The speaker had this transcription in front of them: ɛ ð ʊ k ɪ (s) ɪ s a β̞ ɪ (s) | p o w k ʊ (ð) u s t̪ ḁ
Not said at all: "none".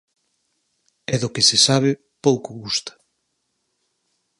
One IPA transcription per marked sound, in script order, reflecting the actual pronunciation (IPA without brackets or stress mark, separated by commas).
s, none, ɣ